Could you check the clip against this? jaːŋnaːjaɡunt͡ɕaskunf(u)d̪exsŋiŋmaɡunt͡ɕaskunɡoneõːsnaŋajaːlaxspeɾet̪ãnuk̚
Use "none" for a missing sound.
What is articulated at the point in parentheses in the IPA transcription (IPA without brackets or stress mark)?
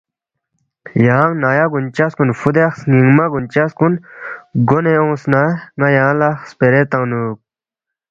u